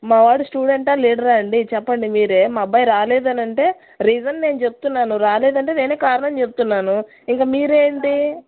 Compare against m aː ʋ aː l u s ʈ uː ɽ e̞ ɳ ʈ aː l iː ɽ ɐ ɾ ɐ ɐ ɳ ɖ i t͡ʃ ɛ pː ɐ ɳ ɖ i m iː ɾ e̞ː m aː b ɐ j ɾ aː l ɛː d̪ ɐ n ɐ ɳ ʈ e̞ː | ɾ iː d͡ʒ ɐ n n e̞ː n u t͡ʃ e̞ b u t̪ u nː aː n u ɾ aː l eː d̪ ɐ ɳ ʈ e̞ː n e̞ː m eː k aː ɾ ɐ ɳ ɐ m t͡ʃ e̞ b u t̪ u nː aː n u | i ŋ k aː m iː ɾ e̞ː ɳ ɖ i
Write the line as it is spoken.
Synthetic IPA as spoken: m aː ʋ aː ɽ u s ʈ uː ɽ e̞ ɳ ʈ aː l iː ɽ ɐ ɾ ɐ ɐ ɳ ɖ i t͡ʃ ɛ pː ɐ ɳ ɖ i m iː ɾ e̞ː m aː b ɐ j ɾ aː l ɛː d̪ ɐ n ɐ ɳ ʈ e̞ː | ɾ iː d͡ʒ ɐ n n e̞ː n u t͡ʃ e̞ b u t̪ u nː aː n u ɾ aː l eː d̪ ɐ ɳ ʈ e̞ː n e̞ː n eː k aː ɾ ɐ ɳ ɐ m t͡ʃ e̞ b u t̪ u nː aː n u | i ŋ k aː m iː ɾ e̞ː ɳ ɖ i

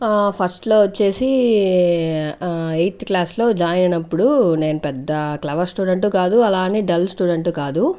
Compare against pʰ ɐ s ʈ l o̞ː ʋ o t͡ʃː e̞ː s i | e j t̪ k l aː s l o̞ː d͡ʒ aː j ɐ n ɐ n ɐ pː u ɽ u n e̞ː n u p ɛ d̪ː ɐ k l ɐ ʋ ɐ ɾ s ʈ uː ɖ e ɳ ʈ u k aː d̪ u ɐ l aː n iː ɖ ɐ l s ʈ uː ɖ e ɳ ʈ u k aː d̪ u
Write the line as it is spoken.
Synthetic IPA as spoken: pʰ ɐ s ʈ l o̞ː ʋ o t͡ʃː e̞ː s i | e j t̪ k l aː s l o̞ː d͡ʒ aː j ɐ n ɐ n ɐ pː u ɽ u n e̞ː n u p ɛ d̪ː ɐ k l ɐ ʋ ɐ ɾ s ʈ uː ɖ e ɳ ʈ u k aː d̪ u ɐ l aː n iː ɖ ɐ l s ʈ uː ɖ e ɳ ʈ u k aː d̪ u

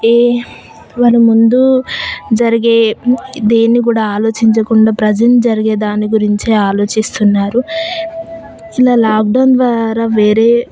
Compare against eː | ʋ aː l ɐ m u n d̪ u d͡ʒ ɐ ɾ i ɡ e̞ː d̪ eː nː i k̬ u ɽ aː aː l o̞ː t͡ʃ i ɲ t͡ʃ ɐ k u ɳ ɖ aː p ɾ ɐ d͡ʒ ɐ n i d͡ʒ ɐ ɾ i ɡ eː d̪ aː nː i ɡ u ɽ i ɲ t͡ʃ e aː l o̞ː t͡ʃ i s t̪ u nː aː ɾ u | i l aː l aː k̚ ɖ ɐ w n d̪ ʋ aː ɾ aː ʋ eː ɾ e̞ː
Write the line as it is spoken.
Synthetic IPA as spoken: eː | ʋ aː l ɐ m u n d̪ u d͡ʒ ɐ ɾ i ɡ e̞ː d̪ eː nː i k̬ uː ɽ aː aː l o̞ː t͡ʃ i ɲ t͡ʃ ɐ k u ɳ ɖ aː p ɾ ɐ d͡ʒ ɐ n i d͡ʒ ɐ ɾ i ɡ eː d̪ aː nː i ɡ u ɾ i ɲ t͡ʃ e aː l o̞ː t͡ʃ i s t̪ u nː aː ɾ u | i l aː l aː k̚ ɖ ɐ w n d̪ ʋ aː ɾ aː ʋ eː ɾ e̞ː

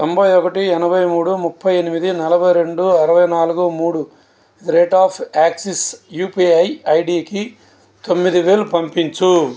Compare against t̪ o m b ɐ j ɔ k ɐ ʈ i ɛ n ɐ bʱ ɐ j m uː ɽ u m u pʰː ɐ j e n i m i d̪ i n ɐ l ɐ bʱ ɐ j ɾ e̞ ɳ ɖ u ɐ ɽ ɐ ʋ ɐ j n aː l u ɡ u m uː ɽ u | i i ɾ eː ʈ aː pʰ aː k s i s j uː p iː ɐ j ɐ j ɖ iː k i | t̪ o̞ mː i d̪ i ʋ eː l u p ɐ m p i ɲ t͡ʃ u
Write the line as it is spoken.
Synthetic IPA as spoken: t̪ o m b ɐ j ɔ k ɐ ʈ i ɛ n ɐ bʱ ɐ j m uː ɽ u m u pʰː ɐ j e n i m i d̪ i n ɐ l ɐ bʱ ɐ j ɾ e̞ ɳ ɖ u ɐ ɾ ɐ ʋ ɐ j n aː l u ɡ u m uː ɽ u | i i ɾ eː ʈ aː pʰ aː k s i s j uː p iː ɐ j ɐ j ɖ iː k i | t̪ o̞ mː i d̪ i ʋ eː l u p ɐ m p i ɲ t͡ʃ u

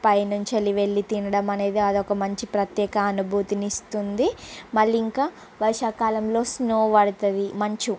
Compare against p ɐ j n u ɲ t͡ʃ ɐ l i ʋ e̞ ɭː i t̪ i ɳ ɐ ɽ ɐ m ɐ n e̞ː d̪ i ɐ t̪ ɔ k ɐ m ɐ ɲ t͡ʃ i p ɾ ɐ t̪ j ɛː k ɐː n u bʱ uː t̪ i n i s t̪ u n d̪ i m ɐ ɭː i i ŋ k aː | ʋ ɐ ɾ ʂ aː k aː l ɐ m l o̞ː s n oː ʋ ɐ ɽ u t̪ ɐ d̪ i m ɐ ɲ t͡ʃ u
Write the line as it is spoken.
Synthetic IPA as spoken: p ɐ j n u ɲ t͡ʃ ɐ l i ʋ e̞ ɭː i t̪ i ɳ ɐ ɽ ɐ m ɐ n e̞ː d̪ i ɐ d̪ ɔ k ɐ m ɐ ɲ t͡ʃ i p ɾ ɐ t̪ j ɛː k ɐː n u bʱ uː t̪ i n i s t̪ u n d̪ i m ɐ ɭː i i ŋ k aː | ʋ ɐ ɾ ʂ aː k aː l ɐ m l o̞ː s n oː ʋ ɐ ɽ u t̪ ɐ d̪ i m ɐ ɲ t͡ʃ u

